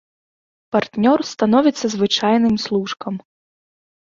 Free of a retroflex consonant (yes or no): no